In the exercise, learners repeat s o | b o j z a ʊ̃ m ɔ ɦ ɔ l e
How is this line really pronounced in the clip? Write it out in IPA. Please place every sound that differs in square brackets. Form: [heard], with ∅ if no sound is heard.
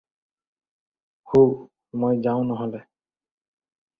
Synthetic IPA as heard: [h] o | [m] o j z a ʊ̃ [n] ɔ ɦ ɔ l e